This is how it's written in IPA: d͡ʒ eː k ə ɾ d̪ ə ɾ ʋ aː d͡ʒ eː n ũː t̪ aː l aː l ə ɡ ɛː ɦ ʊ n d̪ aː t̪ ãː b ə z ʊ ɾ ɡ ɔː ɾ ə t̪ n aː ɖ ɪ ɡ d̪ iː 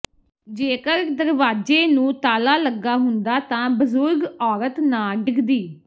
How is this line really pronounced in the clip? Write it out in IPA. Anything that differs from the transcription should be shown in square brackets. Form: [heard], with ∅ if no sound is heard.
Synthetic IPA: d͡ʒ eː k ə ɾ d̪ ə ɾ ʋ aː d͡ʒ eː n ũː t̪ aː l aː l ə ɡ [aː] ɦ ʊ n d̪ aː t̪ ãː b ə z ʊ ɾ ɡ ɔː ɾ ə t̪ n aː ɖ ɪ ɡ d̪ iː